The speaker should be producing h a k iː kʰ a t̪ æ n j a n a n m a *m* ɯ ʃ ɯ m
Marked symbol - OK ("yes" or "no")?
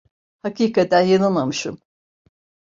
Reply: yes